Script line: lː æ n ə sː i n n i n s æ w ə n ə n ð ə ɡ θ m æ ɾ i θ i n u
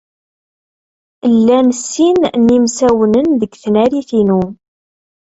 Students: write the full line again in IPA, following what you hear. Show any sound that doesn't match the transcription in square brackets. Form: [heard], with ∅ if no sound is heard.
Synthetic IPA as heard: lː æ n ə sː i n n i [m] s æ w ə n ə n ð ə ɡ θ [n] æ ɾ i θ i n u